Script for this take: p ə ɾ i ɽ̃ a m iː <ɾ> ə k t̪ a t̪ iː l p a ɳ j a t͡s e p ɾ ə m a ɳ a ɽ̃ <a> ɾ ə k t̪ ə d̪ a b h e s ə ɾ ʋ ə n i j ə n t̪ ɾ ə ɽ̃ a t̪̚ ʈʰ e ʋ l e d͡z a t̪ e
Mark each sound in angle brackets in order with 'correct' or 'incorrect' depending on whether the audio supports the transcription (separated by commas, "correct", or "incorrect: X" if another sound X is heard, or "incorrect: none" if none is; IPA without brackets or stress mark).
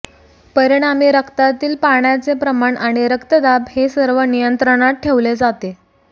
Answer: correct, incorrect: i